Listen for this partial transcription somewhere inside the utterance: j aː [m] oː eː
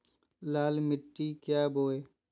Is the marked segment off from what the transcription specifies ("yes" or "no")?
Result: yes